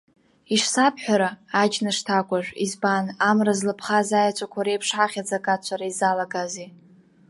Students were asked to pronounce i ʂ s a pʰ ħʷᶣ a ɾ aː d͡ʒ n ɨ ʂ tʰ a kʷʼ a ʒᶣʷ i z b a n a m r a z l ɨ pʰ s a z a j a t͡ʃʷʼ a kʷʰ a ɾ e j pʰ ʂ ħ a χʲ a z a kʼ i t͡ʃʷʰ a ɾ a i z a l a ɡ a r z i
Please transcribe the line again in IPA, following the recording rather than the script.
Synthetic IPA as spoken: i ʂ s a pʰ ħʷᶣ a ɾ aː d͡ʒ n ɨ ʂ tʰ a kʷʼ a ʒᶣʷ i z b a n a m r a z l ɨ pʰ χ a z a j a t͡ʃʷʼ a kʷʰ a ɾ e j pʰ ʂ ħ a χʲ a d͡z a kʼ a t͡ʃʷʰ a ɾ a i z a l a ɡ a z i

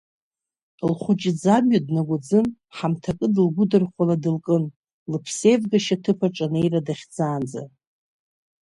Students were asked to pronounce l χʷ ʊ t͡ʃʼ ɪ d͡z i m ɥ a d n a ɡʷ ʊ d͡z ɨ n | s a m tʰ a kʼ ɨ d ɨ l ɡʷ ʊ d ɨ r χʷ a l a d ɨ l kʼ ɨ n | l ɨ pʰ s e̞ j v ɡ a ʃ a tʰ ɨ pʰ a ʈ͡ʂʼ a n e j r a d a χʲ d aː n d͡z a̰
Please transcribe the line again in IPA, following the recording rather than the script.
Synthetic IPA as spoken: l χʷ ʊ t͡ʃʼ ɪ d͡z a m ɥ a d n a ɡʷ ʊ d͡z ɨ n | ħ a m tʰ a kʼ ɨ d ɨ l ɡʷ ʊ d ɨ r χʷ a l a d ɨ l kʼ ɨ n | l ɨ pʰ s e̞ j v ɡ a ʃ a tʰ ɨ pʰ a ʈ͡ʂʼ a n e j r a d a χʲ d͡z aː n d͡z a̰

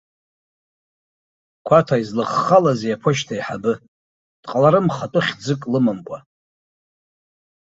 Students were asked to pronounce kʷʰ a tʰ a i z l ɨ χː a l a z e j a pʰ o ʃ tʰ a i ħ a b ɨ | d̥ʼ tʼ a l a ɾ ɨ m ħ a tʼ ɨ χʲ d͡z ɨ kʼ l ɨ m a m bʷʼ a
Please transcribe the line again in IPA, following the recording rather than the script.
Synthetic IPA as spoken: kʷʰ a tʰ a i z l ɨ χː a l a z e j a pʰ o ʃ tʰ a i ħ a b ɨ | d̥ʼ qʼ a l a ɾ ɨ m χ a tʼ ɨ χʲ d͡z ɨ kʼ l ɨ m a m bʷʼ a

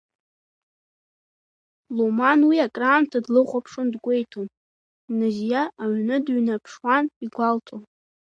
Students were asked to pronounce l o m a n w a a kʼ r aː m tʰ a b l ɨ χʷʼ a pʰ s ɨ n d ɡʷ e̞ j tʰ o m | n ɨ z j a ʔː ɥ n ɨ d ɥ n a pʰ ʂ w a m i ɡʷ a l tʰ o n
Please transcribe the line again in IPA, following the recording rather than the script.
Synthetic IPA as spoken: l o m a n w i a kʼ r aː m tʰ a d l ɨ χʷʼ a pʰ ʂ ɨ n d ɡʷ e̞ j tʰ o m | n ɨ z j a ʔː ɥ n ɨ d ɥ n a pʰ ʂ w a n i ɡʷ a l tʰ o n

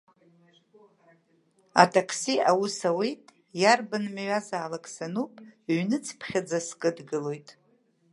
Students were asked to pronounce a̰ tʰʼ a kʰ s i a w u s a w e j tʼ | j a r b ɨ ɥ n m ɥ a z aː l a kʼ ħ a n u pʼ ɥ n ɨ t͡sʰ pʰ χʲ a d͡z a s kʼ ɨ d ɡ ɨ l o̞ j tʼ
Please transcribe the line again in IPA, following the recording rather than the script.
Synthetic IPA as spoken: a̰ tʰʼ a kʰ s i a w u s a w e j tʼ | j a r b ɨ n m ɥ a z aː l a kʼ s a n u pʼ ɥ n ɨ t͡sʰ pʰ χʲ a d͡z a s kʼ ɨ d ɡ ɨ l o̞ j tʼ

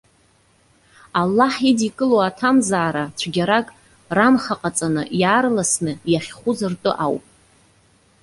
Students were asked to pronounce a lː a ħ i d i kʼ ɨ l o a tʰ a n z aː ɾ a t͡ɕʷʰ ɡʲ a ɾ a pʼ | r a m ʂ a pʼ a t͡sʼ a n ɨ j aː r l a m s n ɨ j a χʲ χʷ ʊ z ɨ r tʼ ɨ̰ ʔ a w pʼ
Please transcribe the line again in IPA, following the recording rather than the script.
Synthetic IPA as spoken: a lː a ħ i d i kʼ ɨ l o a tʰ a m z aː ɾ a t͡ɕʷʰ ɡʲ a ɾ a kʼ | r a m χ a qʼ a t͡sʼ a n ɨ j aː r l a s n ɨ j a χʲ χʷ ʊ z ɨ r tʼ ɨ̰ ʔ a w pʼ

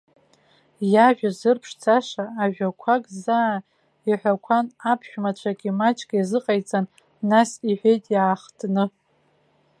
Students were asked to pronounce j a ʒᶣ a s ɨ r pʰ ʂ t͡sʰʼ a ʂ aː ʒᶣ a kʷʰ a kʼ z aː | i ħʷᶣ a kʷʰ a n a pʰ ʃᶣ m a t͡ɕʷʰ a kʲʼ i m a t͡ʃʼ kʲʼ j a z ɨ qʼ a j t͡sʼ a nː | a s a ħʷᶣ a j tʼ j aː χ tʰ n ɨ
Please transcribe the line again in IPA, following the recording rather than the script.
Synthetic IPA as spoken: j a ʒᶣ a z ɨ r pʰ ʂ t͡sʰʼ a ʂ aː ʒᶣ a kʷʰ a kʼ z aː | i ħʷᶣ a kʷʰ a n a pʰ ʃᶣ m a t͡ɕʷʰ a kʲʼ i m a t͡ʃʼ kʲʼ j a z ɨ qʼ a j t͡sʼ a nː | a s i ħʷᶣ e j tʼ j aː χ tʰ n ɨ

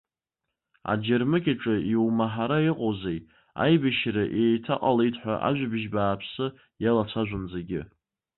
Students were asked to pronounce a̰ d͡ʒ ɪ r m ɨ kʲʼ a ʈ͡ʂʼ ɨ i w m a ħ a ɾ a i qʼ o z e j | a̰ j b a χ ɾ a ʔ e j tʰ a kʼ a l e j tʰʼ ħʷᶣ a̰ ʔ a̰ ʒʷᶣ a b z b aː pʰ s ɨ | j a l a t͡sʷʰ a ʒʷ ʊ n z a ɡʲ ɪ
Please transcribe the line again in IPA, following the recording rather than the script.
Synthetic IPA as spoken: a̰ d͡ʒ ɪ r m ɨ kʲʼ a ʈ͡ʂʼ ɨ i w m a ħ a ɾ a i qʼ o z e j | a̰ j b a ʃ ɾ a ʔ e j tʰ a qʼ a l e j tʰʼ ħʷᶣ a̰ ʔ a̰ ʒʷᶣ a b ʒ b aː pʰ s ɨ | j a l a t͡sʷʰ a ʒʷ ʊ n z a ɡʲ ɪ

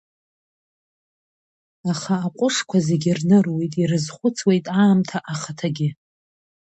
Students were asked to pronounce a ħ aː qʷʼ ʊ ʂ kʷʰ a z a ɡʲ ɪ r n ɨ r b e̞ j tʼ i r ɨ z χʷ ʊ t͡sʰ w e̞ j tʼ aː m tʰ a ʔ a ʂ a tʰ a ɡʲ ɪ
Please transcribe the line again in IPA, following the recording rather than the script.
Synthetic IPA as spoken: a χ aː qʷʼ ʊ ʂ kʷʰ a z e ɡʲ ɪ r n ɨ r w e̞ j tʼ i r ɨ z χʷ ʊ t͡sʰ w e̞ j tʼ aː m tʰ a ʔ a χ a tʰ a ɡʲ ɪ

